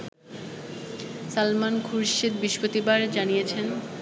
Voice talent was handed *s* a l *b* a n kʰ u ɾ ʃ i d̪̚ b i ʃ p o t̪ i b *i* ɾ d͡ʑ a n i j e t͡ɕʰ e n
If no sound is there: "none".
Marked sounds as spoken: s, m, a

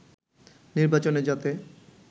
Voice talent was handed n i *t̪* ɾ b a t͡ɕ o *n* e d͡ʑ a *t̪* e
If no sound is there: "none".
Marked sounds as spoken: none, n, t̪

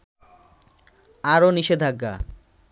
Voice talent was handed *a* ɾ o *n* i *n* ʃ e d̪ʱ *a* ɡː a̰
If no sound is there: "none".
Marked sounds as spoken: a, n, none, a

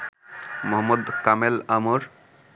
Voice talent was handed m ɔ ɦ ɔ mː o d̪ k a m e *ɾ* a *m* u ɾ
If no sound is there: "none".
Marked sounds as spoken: l, m

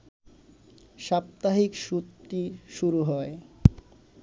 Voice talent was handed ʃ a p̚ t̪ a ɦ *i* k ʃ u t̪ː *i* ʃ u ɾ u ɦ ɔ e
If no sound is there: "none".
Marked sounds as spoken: i, i

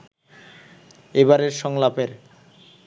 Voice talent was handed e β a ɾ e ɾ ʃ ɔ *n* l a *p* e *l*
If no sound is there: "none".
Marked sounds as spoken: ŋ, p, ɾ

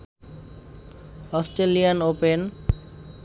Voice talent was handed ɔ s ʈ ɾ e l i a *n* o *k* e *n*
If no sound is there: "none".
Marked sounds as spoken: n, p, n

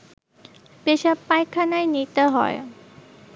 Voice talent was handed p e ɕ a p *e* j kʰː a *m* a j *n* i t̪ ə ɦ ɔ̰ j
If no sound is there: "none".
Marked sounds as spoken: a, n, n

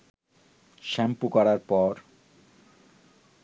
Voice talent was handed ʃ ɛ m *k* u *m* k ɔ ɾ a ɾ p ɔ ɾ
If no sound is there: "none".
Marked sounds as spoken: p, none

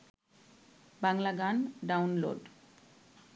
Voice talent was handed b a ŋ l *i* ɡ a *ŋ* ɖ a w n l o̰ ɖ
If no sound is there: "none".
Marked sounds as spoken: a, n

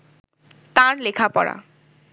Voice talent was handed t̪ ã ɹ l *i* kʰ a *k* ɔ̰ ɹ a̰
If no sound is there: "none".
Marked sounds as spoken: e, p

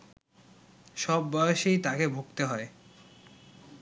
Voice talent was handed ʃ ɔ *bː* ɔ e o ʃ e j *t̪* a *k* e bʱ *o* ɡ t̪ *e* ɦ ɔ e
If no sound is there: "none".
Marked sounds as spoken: bː, t̪, k, o, e

